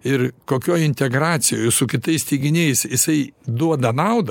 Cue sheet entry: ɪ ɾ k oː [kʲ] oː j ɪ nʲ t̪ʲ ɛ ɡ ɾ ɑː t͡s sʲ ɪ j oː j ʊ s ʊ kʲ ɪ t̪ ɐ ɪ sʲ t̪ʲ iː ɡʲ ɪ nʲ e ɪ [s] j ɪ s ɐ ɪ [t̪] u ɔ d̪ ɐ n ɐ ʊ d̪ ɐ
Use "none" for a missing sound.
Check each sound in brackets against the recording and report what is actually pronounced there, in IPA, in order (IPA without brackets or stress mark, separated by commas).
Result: kʲ, s, d̪